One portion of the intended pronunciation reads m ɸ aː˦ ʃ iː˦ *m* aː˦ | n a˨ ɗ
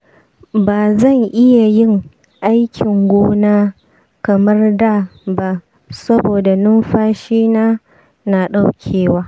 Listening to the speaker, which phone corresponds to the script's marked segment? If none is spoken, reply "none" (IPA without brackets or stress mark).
n